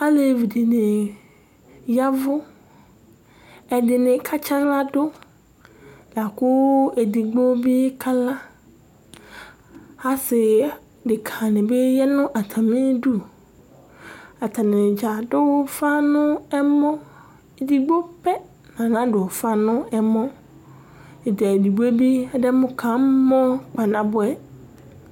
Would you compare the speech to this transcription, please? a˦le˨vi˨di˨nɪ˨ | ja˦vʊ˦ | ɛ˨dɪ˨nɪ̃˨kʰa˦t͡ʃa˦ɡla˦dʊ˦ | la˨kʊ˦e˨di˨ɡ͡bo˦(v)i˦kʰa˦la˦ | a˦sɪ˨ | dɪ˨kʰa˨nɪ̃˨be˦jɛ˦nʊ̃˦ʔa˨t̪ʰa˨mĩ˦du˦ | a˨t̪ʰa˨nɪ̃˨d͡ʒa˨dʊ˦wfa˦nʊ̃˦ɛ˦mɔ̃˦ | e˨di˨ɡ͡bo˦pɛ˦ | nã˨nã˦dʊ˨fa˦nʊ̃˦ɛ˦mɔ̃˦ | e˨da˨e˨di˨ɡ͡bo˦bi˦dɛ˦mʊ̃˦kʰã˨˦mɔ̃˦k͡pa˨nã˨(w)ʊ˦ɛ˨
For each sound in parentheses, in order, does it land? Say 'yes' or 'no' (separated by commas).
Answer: no, no